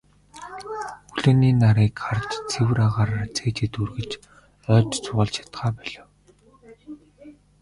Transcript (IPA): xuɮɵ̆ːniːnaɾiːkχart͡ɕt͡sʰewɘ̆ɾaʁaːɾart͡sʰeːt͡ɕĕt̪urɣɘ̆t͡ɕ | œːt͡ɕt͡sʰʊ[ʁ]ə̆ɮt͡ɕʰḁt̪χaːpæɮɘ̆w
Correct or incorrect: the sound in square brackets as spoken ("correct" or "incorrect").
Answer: correct